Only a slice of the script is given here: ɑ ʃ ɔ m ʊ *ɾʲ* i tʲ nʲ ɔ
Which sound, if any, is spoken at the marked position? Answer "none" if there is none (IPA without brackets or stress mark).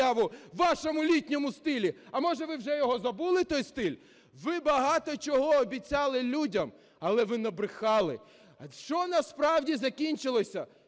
lʲ